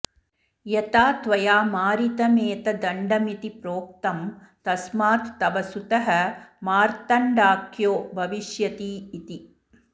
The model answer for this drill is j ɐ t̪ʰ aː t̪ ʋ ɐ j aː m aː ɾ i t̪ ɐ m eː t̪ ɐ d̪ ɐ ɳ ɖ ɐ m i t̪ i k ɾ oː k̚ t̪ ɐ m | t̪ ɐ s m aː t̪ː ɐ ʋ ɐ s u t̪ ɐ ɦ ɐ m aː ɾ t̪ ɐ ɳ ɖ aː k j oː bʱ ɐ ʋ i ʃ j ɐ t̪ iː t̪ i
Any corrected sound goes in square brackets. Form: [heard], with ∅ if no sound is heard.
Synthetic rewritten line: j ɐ [t̪] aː t̪ ʋ ɐ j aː m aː ɾ i t̪ ɐ m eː t̪ ɐ d̪ ɐ ɳ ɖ ɐ m i t̪ i [p] ɾ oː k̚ t̪ ɐ m | t̪ ɐ s m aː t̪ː ɐ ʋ ɐ s u t̪ ɐ ɦ ɐ m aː ɾ t̪ ɐ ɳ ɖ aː k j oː bʱ ɐ ʋ i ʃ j ɐ t̪ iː t̪ i